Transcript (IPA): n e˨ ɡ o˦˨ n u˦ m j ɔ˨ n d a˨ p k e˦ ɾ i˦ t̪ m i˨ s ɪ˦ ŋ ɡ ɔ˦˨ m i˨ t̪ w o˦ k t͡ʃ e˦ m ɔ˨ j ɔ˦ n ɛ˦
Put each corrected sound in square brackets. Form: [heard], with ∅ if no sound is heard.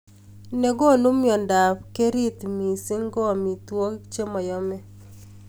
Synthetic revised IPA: n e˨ ɡ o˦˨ n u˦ m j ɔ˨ n d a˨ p k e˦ ɾ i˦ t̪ m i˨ s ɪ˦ ŋ ɡ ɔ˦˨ m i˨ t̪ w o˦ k t͡ʃ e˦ m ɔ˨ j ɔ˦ [m] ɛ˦